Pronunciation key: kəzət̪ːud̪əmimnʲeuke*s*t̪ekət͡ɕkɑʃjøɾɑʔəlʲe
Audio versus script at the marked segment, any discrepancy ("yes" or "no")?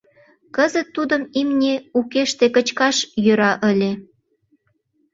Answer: yes